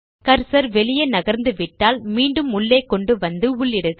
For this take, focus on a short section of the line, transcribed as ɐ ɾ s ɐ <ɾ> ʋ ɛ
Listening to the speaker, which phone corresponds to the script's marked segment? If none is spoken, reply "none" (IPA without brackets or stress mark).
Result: ɾ